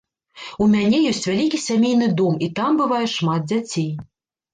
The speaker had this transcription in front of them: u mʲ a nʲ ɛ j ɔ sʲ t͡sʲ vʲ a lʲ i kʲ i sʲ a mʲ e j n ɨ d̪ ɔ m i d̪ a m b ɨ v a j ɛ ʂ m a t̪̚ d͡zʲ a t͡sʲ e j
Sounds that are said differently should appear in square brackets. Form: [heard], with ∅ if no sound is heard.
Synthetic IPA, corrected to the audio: u mʲ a nʲ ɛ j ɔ sʲ t͡sʲ vʲ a lʲ i kʲ i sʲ a mʲ e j n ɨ d̪ ɔ m i [t̪] a m b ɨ v a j ɛ ʂ m a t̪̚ d͡zʲ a t͡sʲ e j